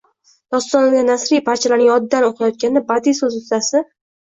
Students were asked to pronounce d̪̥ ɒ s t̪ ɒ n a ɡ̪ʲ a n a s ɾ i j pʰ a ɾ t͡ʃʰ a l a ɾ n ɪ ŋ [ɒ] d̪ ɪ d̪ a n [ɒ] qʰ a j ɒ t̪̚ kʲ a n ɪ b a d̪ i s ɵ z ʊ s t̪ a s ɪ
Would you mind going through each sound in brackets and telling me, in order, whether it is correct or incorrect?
correct, incorrect

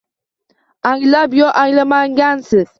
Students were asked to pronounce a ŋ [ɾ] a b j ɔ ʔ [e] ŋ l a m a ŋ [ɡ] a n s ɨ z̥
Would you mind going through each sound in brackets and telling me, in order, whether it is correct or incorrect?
incorrect, incorrect, correct

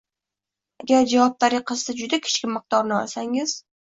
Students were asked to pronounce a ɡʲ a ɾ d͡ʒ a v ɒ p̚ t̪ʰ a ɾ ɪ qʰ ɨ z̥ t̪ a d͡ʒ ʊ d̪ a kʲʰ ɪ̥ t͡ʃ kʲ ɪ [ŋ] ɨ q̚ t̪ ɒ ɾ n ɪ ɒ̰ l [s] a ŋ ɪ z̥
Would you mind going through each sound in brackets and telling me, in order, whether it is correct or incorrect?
incorrect, correct

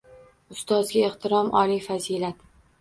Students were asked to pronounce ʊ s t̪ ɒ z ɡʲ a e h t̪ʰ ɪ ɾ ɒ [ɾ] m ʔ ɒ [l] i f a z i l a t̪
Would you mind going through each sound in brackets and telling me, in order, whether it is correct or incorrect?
incorrect, correct

